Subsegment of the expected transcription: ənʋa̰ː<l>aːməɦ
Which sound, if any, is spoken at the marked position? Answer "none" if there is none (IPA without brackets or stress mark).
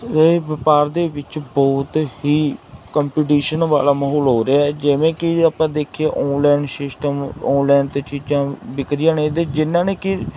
l